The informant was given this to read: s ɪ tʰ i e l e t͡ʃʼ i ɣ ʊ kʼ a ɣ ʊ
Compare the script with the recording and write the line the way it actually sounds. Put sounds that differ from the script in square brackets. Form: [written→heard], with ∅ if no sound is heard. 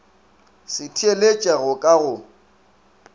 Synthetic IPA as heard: s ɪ tʰ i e l e t͡ʃʼ [i→a] ɣ ʊ kʼ a ɣ ʊ